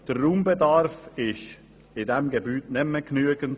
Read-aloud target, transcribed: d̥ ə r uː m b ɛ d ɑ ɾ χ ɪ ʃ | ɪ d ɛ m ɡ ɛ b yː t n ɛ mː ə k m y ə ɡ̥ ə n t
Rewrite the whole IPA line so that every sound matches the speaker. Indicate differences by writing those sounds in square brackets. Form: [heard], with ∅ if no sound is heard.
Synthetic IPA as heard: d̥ ə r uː m b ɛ d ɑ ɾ [f] ɪ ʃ | ɪ d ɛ m ɡ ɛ b yː t n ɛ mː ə k [n] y ə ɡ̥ ə n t